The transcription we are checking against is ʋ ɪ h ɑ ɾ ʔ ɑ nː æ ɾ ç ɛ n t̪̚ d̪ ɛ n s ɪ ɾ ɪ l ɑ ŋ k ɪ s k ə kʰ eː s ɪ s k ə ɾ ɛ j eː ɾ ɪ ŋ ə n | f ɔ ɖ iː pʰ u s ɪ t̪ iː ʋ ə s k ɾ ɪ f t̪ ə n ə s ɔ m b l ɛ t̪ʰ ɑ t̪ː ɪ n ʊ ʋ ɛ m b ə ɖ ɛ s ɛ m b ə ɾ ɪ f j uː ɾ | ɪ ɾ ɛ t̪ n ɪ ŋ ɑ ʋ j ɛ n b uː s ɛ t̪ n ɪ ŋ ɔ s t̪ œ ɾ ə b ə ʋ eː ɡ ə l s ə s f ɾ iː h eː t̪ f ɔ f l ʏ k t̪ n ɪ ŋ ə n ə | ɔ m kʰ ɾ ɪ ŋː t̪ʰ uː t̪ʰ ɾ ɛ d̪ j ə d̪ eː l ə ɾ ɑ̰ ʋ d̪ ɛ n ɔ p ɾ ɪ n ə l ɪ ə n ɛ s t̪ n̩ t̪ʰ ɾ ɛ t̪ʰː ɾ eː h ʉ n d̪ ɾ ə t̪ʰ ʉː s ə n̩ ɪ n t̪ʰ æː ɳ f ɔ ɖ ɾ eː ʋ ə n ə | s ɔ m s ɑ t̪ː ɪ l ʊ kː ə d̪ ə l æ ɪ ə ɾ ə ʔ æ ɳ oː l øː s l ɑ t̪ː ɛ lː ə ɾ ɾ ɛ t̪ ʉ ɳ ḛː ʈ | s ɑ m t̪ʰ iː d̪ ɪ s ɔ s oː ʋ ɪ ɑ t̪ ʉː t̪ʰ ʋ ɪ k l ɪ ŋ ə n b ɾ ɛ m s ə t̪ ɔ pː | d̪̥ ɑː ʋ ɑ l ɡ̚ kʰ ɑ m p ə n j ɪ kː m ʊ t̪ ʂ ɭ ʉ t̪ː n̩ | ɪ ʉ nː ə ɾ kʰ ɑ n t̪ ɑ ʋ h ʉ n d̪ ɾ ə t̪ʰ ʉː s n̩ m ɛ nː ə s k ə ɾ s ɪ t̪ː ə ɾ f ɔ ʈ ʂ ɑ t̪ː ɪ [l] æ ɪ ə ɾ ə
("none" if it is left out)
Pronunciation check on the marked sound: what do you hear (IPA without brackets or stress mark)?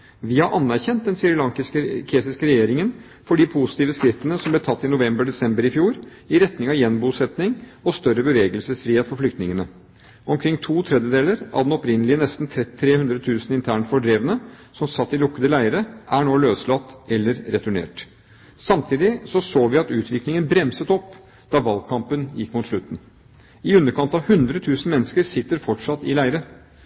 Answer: l